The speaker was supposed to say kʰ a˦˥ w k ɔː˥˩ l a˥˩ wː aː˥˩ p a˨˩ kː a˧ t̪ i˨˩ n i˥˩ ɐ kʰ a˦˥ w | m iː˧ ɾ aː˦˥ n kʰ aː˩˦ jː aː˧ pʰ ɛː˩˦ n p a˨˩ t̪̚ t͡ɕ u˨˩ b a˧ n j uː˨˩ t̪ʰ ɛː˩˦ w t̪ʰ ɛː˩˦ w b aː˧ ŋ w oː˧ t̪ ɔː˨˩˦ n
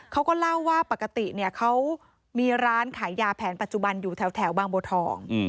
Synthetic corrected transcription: kʰ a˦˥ w k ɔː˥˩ l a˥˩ wː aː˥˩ p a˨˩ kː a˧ t̪ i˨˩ n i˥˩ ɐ kʰ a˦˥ w | m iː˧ ɾ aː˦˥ n kʰ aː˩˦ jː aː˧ pʰ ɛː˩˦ n p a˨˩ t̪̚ t͡ɕ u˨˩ b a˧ n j uː˨˩ t̪ʰ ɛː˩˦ w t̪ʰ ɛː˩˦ w b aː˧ ŋ b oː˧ t̪ʰ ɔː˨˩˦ ŋ